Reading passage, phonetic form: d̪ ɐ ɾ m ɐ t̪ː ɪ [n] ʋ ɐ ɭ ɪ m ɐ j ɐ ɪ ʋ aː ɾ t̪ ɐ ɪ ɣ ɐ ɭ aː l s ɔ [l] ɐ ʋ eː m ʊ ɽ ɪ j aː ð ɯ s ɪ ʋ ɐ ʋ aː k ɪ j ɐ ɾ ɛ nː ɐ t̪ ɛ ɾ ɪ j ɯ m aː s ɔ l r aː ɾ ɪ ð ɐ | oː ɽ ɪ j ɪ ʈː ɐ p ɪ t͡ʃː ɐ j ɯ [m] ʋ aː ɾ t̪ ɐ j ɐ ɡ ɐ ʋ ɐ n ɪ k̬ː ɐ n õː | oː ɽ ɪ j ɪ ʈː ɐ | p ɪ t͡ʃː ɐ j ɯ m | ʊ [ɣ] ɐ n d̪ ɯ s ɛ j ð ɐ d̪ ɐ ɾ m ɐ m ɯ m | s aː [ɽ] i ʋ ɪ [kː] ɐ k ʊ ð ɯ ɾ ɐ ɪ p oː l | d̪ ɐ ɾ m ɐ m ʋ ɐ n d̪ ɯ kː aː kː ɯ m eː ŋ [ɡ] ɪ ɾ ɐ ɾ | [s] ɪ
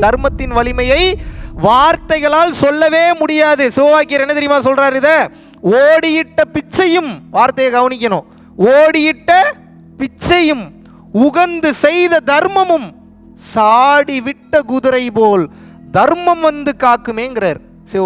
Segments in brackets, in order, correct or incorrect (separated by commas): correct, incorrect, correct, correct, correct, incorrect, correct, correct